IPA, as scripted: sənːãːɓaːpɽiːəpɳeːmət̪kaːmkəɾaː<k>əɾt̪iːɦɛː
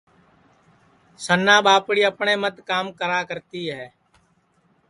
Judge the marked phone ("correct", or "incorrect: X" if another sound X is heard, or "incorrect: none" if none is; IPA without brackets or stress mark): correct